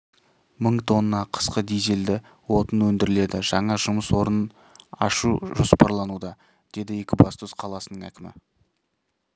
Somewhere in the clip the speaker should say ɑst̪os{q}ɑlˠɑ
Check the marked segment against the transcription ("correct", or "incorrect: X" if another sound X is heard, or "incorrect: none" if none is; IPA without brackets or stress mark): incorrect: qʰ